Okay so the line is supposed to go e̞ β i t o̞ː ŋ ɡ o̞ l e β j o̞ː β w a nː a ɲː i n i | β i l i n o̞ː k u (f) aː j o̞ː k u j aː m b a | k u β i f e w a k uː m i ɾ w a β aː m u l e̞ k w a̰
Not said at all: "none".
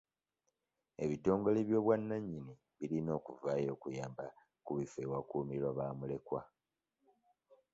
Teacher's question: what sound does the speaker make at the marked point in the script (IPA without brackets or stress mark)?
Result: v